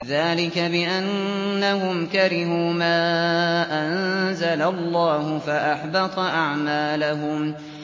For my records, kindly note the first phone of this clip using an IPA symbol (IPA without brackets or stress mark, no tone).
ð